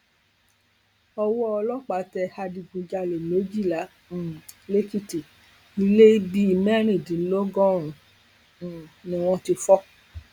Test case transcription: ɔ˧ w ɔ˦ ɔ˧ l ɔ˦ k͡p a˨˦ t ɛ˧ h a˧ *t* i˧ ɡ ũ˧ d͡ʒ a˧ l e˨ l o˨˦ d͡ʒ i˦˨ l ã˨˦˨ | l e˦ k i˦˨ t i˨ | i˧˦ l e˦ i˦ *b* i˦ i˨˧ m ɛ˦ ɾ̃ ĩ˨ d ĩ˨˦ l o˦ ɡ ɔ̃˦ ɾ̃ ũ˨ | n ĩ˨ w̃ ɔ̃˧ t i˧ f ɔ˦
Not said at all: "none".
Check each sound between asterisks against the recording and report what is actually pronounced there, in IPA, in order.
d, b

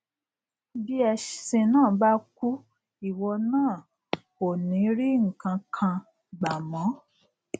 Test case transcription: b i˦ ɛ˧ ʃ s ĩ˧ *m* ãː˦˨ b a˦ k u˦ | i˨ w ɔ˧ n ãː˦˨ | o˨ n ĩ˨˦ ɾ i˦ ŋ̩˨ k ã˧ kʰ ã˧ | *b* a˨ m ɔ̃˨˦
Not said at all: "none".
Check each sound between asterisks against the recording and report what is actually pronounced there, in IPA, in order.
n, ɡ͡b

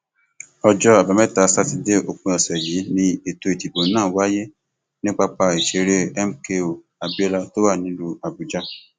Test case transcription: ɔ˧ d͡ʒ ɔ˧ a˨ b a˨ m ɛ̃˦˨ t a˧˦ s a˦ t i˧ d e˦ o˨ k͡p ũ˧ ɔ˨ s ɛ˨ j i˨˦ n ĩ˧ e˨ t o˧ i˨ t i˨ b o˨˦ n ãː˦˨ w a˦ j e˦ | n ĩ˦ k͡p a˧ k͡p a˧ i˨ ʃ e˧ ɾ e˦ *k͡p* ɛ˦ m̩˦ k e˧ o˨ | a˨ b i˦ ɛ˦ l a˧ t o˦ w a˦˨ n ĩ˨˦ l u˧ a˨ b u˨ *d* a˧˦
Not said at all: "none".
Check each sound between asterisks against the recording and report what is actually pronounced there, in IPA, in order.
none, d͡ʒ

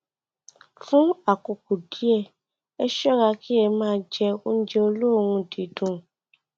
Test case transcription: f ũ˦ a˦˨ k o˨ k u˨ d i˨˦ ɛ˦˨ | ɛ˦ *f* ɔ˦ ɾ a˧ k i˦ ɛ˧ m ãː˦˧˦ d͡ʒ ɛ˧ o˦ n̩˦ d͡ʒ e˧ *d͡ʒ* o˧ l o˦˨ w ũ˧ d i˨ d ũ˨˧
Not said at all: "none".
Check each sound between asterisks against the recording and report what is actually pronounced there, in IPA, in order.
ʃ, none

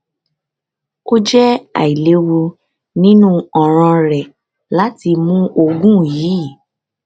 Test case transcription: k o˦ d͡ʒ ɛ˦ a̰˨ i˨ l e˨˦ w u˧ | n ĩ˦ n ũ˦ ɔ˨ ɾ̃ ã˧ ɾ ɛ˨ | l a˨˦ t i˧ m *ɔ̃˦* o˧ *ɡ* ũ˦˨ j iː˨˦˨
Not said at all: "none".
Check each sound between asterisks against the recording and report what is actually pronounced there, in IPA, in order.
ũ˦, ɡ

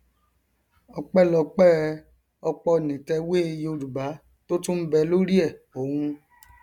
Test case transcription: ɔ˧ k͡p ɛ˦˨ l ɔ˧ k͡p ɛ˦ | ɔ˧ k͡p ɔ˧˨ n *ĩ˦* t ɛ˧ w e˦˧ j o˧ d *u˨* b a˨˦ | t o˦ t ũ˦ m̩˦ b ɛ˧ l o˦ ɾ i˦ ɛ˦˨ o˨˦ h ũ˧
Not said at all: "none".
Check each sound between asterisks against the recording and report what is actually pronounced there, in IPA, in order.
ĩ˨, u˨

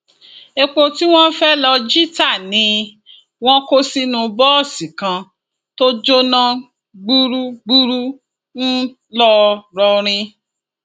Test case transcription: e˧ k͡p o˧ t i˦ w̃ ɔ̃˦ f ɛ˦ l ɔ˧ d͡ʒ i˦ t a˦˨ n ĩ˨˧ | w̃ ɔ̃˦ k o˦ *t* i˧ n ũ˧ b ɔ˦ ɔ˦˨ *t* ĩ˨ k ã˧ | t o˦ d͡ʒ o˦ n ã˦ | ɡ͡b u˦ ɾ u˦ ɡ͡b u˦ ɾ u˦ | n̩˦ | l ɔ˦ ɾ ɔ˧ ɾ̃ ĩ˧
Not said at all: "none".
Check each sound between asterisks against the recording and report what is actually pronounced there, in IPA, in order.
s, s

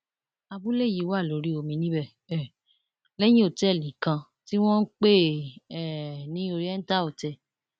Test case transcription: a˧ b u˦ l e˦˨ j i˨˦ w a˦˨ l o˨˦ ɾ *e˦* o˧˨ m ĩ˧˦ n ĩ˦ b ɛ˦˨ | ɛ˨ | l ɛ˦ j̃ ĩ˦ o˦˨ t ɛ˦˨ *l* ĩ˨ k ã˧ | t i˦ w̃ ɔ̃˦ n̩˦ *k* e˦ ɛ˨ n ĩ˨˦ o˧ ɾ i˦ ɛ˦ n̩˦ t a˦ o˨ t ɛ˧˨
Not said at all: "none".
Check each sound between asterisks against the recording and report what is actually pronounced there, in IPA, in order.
i˦, l, k͡p

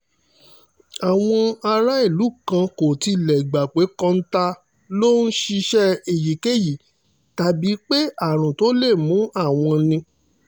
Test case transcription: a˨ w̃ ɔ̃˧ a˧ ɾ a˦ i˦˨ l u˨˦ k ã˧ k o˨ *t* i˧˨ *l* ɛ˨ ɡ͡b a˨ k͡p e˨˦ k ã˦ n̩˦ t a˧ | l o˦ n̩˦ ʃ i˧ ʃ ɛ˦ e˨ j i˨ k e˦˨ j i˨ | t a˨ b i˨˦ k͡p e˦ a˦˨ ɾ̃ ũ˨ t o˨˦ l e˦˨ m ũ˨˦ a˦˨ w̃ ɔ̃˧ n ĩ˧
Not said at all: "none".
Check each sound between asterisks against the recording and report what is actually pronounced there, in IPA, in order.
t, l

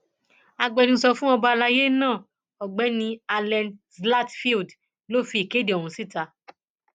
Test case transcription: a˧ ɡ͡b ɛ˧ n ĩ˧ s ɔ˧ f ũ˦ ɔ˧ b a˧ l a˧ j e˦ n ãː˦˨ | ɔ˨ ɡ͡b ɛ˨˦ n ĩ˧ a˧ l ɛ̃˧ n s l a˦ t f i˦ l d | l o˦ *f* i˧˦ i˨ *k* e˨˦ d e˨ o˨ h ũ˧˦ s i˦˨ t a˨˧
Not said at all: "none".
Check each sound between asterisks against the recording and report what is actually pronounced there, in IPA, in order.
f, k

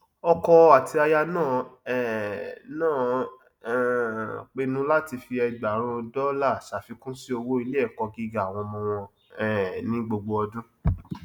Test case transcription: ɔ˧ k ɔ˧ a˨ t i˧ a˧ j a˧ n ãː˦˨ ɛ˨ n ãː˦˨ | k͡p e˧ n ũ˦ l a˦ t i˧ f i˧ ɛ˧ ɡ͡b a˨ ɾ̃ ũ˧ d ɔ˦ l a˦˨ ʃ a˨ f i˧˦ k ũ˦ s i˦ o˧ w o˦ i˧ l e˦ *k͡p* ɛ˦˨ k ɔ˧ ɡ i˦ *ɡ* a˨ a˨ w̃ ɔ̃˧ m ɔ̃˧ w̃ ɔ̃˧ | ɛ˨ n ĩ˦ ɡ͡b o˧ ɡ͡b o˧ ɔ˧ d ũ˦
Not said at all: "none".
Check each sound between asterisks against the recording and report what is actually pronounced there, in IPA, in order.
none, ɡ

